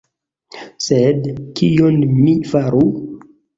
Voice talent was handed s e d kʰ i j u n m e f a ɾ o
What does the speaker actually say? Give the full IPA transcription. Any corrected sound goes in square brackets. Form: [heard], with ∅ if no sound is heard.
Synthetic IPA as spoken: s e d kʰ i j [o] n m [i] f a ɾ [u]